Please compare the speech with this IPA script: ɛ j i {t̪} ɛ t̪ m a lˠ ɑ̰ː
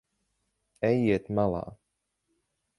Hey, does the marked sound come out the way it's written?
no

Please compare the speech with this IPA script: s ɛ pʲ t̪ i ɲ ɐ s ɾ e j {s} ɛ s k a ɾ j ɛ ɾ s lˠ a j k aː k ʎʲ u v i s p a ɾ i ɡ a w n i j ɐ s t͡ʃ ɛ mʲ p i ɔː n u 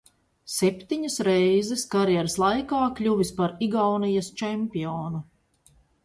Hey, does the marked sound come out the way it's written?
no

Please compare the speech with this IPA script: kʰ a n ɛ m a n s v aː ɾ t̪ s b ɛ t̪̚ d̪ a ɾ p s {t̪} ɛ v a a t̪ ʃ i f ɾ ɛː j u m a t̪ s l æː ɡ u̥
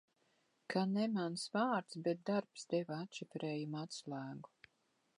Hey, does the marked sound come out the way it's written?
no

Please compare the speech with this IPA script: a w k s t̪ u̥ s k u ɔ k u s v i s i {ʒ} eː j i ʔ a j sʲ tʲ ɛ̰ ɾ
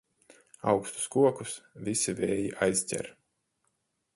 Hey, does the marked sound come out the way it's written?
no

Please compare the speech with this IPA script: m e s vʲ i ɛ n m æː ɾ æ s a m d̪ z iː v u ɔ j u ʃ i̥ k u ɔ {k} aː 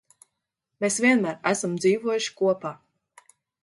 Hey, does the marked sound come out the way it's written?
no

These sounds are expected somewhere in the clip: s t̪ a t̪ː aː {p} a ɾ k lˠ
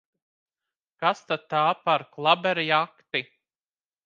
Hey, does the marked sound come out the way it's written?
yes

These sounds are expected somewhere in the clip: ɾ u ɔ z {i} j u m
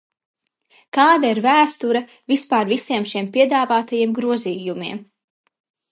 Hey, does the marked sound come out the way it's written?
no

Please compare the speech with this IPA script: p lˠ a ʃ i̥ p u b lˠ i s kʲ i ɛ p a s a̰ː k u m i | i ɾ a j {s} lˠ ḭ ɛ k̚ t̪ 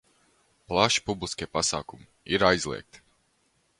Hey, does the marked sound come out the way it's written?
no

